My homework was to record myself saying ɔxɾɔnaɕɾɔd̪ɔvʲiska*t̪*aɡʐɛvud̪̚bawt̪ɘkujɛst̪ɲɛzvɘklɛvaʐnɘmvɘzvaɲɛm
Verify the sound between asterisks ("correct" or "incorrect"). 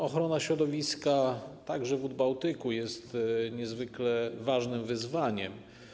correct